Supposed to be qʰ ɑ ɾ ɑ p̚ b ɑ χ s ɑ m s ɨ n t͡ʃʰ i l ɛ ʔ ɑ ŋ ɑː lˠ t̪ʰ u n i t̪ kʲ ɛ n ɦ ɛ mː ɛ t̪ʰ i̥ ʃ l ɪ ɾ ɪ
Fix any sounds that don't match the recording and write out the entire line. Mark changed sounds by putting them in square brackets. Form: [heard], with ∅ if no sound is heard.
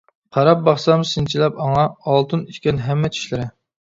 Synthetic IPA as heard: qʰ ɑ ɾ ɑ p̚ b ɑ χ s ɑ m s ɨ n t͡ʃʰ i l ɛ [p] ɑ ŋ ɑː lˠ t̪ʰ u n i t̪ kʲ ɛ n ɦ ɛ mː ɛ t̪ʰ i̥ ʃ l ɪ ɾ ɪ